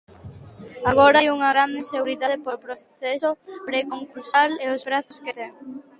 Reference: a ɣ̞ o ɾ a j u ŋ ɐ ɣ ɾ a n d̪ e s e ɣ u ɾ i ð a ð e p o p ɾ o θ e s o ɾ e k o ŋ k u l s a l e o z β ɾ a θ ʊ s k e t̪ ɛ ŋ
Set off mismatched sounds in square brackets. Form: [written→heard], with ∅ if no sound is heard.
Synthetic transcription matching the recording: a ɣ̞ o ɾ a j u ŋ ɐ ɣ ɾ a n d̪ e s e ɣ u ɾ i ð a ð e p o p ɾ o θ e s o ɾ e k o ŋ k u l s a l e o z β ɾ a θ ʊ s k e t̪ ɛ ŋ